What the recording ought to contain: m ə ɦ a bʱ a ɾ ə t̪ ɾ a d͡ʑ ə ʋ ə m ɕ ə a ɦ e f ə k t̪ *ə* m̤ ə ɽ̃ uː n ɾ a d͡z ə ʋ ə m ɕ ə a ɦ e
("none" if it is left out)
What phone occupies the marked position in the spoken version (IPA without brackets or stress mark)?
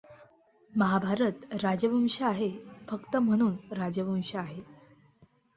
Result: ə